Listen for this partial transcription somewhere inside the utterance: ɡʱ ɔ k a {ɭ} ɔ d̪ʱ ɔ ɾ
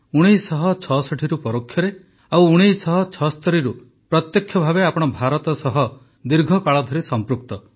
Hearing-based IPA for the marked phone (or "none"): ɭ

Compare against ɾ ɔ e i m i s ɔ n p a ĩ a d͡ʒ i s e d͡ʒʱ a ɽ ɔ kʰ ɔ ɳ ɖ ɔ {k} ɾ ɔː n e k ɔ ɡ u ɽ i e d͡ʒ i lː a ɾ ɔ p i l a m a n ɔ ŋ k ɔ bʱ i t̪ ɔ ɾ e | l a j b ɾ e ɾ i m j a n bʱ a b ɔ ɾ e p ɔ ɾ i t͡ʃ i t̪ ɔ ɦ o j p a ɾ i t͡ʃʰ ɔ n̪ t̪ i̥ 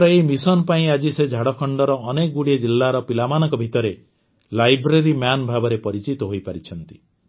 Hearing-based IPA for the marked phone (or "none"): none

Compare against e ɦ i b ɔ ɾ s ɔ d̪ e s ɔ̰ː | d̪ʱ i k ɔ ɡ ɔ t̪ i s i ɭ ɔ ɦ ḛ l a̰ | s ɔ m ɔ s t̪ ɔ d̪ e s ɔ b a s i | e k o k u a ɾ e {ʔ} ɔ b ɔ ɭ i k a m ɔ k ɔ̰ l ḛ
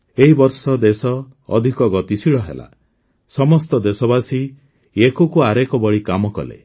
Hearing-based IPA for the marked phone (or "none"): k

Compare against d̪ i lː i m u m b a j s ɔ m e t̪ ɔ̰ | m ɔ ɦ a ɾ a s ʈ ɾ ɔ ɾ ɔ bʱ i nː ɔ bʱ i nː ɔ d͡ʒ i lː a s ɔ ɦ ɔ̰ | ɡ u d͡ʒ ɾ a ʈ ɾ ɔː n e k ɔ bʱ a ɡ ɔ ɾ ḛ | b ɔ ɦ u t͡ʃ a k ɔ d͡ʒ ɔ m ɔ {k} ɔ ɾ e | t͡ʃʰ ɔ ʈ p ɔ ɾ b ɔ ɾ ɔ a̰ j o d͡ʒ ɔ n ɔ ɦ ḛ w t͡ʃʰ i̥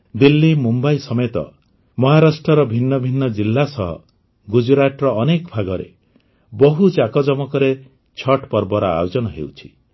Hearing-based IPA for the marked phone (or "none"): k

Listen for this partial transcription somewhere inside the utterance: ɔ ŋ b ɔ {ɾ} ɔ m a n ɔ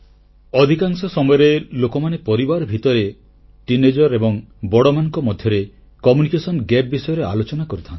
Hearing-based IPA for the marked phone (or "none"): ɽ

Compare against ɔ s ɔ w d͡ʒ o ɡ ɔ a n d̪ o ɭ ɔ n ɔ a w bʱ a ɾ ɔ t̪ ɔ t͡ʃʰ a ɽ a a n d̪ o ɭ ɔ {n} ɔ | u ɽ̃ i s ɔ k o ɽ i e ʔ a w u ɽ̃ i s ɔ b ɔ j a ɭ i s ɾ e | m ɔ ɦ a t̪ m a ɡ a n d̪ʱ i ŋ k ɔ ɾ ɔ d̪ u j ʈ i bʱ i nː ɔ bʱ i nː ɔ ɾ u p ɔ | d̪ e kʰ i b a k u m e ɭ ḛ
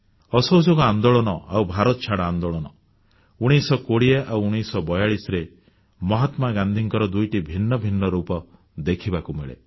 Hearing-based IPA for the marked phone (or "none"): n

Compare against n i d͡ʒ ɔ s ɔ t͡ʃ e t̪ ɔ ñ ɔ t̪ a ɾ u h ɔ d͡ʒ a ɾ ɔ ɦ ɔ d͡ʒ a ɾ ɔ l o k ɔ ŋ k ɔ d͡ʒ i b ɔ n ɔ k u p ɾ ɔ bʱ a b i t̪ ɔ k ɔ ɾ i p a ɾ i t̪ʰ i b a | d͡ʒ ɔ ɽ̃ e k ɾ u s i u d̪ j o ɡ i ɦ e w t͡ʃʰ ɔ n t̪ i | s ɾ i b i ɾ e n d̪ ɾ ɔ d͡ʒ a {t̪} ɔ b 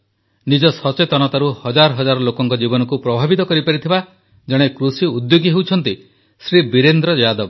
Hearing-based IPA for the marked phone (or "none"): d̪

